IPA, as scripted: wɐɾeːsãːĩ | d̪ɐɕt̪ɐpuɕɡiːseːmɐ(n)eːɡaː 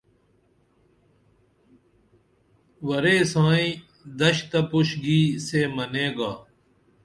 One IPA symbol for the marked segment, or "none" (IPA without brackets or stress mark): n